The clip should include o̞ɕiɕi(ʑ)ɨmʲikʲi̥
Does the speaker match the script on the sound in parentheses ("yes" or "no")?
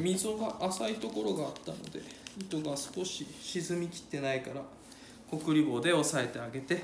no